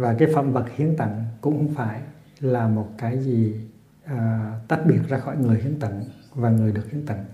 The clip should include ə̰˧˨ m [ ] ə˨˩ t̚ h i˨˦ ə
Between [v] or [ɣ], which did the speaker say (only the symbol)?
v